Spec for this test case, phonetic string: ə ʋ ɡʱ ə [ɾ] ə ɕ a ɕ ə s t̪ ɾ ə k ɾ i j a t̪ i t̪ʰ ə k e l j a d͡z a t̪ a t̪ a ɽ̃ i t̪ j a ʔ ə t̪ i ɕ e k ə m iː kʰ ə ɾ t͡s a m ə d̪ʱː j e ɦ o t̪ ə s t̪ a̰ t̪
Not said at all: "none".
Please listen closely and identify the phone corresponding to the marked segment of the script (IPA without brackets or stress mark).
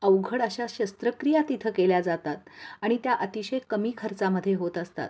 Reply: ɽ